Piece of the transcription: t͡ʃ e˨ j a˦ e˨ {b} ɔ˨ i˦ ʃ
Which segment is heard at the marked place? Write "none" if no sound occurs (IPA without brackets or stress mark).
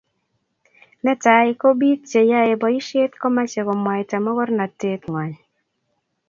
b